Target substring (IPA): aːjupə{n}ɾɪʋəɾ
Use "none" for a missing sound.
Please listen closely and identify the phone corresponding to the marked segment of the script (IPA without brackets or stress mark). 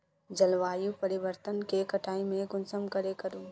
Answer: none